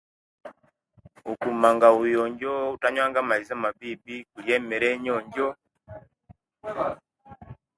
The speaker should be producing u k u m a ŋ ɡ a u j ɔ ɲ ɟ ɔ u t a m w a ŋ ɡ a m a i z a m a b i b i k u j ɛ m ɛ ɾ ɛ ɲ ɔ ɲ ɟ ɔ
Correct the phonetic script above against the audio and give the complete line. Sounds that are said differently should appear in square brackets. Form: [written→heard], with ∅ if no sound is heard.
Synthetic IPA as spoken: u k u m a ŋ ɡ a u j ɔ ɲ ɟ ɔ u t a [m→ɲ] w a ŋ ɡ a m a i z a m a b i b i k u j ɛ m ɛ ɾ ɛ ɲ ɔ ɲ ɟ ɔ